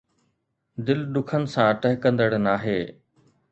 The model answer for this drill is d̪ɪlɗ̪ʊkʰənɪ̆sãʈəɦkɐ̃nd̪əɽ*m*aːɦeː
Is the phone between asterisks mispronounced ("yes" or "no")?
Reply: yes